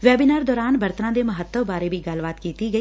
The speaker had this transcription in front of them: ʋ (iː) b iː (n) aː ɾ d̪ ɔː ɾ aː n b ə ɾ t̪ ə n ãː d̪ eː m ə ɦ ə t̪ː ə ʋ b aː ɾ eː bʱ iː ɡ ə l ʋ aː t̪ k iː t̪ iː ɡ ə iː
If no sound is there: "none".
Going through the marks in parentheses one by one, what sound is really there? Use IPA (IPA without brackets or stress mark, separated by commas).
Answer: ɛː, n